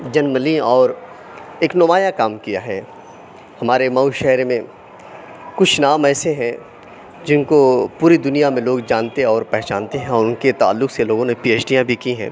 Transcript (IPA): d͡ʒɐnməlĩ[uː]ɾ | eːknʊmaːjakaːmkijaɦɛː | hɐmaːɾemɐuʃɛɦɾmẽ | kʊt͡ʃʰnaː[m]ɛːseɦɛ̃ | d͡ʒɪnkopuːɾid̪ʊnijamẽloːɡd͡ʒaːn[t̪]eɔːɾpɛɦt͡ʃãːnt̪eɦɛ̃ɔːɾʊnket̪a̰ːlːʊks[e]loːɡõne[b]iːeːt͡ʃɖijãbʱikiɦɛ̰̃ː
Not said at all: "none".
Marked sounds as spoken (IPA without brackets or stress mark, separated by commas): ɔː, m, t̪, e, p